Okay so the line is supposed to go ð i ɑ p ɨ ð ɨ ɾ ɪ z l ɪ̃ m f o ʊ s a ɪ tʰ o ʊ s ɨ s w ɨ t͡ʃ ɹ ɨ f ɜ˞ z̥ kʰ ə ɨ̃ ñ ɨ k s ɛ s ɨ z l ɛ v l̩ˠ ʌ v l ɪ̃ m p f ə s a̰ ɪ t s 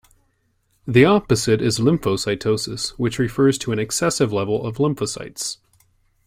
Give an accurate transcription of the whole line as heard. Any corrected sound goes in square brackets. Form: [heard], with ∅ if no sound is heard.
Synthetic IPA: ð i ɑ p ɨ [z] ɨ ɾ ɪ z l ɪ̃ m f o ʊ s a ɪ tʰ o ʊ s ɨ s w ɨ t͡ʃ ɹ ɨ f ɜ˞ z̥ [tʰ] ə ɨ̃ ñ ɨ k s ɛ s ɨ [v] l ɛ v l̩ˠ ʌ v l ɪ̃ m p f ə s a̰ ɪ t s